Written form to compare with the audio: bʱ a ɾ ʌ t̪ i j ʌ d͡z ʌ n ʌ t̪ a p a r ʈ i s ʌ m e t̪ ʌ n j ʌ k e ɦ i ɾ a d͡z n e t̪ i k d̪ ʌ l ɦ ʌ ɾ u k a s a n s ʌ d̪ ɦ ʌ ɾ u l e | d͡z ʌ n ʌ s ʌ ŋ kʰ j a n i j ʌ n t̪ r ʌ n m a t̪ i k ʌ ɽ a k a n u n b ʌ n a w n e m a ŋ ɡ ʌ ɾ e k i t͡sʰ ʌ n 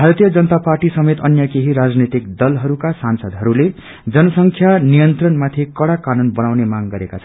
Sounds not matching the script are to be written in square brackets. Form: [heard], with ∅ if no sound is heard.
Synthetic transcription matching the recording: bʱ a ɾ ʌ t̪ i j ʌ d͡z ʌ n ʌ t̪ a p a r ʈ i s ʌ m e t̪ ʌ n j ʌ k e ɦ i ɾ a d͡z n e t̪ i k d̪ ʌ l ɦ ʌ ɾ u k a s a n s ʌ d̪ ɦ ʌ ɾ u l e | d͡z ʌ n ʌ s ʌ ŋ kʰ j a n i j ʌ n t̪ r ʌ n m a [t̪ʰ] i k ʌ ɽ a k a n u n b ʌ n a w n e m a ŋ ɡ ʌ ɾ e k [a] t͡sʰ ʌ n